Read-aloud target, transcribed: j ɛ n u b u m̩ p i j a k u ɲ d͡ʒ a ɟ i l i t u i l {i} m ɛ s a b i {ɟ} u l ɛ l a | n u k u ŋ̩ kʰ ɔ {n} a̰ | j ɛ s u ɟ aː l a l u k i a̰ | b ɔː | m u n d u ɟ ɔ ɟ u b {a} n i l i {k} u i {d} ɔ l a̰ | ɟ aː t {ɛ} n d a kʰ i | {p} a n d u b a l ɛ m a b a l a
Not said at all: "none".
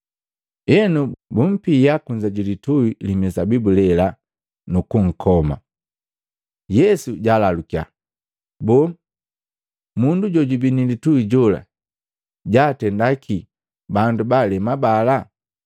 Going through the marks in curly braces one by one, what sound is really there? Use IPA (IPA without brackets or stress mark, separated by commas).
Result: i, b, m, i, t, ɟ, ɛ, b